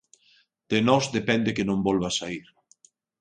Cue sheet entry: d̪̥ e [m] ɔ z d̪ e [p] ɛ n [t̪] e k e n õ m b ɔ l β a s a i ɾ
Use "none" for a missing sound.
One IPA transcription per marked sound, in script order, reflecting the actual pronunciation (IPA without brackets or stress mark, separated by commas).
n, p, d̪